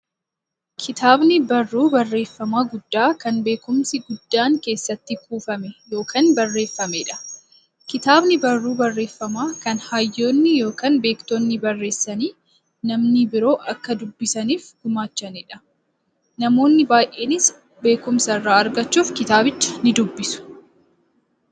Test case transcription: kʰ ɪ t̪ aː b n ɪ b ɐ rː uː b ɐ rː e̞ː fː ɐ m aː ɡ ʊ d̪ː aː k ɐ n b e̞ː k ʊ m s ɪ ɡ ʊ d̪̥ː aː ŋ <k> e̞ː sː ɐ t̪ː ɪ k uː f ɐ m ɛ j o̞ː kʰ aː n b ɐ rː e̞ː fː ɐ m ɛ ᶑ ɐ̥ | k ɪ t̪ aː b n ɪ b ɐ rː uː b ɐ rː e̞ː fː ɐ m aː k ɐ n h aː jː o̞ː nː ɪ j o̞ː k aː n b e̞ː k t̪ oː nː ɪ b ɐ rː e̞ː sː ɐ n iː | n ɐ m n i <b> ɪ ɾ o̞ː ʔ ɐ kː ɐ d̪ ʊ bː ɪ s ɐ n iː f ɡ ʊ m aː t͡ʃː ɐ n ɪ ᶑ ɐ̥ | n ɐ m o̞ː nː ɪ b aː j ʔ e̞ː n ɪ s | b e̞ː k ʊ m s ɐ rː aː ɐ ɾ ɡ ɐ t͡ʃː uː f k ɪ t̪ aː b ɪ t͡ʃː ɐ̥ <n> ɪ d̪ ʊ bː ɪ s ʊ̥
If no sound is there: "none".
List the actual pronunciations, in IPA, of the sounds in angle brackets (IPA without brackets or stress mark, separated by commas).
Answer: k, b, n